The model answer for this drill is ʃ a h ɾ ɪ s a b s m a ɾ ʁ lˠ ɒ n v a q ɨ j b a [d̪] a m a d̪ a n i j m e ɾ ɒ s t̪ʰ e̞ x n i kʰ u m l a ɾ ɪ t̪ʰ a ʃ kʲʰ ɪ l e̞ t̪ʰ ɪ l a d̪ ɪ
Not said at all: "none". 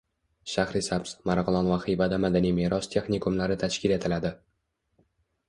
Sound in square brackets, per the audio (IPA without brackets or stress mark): d̪